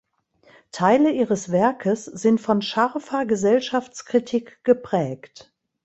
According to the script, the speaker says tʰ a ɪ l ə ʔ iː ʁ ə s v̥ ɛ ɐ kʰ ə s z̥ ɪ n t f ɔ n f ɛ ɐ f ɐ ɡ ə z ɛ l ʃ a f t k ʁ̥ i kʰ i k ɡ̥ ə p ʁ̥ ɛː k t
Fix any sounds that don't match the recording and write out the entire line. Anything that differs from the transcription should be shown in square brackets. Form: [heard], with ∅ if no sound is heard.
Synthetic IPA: tʰ a ɪ l ə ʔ iː ʁ ə s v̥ ɛ ɐ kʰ ə s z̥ ɪ n t f ɔ n [ʃ] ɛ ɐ f ɐ ɡ ə z ɛ l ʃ a f [t͡s] k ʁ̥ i [tʰ] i k ɡ̥ ə p ʁ̥ ɛː k t